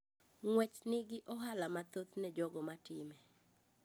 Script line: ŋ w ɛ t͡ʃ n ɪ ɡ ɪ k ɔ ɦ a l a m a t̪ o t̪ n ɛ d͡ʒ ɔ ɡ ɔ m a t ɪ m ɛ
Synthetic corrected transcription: ŋ w ɛ t͡ʃ n ɪ ɡ ɪ ʔ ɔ ɦ a l a m a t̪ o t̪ n ɛ d͡ʒ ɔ ɡ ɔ m a t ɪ m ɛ